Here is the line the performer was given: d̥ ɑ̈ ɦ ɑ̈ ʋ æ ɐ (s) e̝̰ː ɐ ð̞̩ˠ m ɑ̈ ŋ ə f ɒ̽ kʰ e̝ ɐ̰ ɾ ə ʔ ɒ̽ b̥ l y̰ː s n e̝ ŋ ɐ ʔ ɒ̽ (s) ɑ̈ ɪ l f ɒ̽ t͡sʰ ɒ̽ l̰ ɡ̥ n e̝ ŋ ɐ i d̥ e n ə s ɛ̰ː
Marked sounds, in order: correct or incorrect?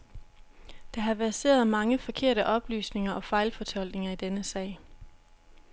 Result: correct, incorrect

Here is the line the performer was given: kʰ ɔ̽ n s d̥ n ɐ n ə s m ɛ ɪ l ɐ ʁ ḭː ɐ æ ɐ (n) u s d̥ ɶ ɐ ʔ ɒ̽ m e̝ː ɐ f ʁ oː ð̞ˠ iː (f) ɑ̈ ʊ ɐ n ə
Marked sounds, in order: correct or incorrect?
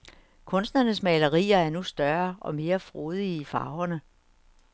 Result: correct, correct

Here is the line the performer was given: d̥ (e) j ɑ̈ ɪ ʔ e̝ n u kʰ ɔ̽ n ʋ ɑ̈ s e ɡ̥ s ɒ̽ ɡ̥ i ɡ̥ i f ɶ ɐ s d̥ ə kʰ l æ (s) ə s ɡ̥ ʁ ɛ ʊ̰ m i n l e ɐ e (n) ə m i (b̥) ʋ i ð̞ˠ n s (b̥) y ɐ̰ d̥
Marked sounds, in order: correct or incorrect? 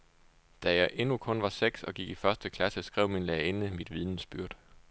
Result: incorrect, correct, correct, incorrect, correct

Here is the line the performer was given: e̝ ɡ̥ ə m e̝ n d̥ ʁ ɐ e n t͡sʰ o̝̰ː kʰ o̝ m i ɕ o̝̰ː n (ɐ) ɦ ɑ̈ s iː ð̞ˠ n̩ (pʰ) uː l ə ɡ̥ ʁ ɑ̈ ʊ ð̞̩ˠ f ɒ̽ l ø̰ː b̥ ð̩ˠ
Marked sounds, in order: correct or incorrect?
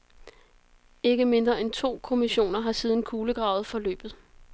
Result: correct, incorrect

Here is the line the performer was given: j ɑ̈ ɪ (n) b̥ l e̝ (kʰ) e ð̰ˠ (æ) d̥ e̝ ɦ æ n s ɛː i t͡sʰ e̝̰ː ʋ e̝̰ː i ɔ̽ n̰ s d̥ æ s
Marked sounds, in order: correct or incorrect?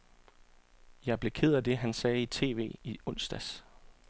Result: incorrect, correct, correct

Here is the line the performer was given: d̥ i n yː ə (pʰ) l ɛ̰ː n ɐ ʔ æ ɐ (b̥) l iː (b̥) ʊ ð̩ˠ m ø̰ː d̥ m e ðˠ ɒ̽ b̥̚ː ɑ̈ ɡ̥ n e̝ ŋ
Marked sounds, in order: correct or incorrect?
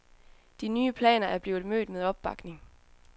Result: correct, correct, incorrect

